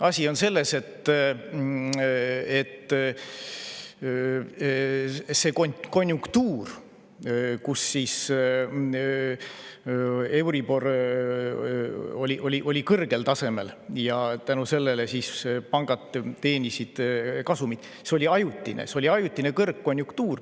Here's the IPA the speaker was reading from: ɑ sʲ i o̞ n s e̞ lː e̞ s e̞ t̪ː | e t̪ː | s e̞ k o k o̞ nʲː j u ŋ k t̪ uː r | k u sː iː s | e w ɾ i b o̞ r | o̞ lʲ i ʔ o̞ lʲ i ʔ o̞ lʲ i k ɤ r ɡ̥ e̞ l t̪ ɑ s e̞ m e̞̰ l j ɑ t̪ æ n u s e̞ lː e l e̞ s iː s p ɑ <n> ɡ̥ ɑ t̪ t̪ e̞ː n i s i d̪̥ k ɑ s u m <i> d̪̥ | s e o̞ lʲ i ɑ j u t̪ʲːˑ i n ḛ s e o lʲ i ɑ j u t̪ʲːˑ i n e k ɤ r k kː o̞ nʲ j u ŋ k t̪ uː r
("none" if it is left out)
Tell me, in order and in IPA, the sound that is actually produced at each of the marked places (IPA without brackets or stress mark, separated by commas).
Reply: ŋ, i